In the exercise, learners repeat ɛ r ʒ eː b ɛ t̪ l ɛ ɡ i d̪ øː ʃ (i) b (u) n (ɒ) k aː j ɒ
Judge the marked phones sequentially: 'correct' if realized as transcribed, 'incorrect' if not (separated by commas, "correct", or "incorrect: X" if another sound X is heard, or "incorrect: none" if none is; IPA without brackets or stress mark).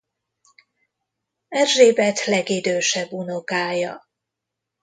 incorrect: ɛ, correct, incorrect: o